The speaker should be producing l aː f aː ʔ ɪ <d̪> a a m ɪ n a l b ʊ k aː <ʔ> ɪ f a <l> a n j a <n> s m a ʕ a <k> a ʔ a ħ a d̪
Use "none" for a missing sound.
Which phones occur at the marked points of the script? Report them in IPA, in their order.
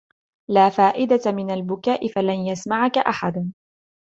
d̪, ʔ, l, none, k

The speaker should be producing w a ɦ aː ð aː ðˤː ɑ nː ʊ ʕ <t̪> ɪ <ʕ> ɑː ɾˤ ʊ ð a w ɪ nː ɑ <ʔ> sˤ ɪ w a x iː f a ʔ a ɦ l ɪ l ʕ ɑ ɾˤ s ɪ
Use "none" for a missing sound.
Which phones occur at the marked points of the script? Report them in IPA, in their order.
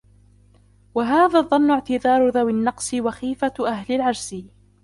t̪, ð, q

